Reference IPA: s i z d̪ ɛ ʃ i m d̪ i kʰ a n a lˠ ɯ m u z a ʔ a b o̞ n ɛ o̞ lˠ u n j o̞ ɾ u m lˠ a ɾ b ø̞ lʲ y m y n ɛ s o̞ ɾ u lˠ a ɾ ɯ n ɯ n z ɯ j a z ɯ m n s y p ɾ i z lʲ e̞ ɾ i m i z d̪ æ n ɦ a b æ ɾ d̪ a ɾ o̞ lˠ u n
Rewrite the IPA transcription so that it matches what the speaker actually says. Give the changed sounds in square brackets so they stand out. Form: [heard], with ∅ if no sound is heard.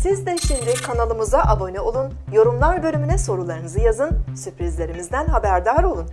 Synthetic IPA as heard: s i z d̪ ɛ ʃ i m d̪ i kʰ a n a lˠ ɯ m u z a ʔ a b o̞ n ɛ o̞ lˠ u n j o̞ ɾ u m lˠ a ɾ b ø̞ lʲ y m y n ɛ s o̞ ɾ u lˠ a ɾ ɯ n ɯ [∅] z ɯ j a z ɯ [∅] n s y p ɾ i z lʲ e̞ ɾ i m i z d̪ æ n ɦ a b æ ɾ d̪ a ɾ o̞ lˠ u n